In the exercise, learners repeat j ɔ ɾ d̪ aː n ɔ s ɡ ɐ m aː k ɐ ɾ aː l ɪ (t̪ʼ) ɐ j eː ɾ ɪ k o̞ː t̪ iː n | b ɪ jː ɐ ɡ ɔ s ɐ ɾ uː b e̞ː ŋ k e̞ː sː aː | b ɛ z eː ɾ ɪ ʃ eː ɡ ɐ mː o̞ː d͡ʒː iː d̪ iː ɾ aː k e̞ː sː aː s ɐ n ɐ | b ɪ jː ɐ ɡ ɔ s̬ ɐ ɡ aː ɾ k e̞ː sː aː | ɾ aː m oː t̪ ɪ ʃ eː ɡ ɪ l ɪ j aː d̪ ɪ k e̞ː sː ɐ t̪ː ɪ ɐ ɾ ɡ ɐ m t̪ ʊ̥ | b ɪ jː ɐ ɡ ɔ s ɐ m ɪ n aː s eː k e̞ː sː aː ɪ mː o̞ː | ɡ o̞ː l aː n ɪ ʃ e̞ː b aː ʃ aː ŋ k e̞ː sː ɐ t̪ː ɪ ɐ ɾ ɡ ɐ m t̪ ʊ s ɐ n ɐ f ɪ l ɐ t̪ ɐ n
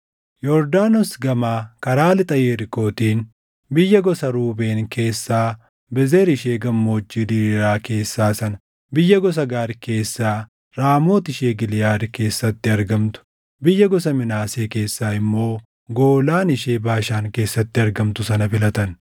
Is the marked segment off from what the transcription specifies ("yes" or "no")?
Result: no